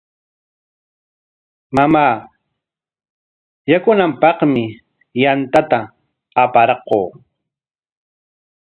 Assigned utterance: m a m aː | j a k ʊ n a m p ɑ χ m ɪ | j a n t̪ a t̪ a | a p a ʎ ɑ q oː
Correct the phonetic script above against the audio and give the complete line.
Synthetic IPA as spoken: m a m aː | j a k ʊ n a m p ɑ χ m ɪ | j a n t̪ a t̪ a | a p a ɾ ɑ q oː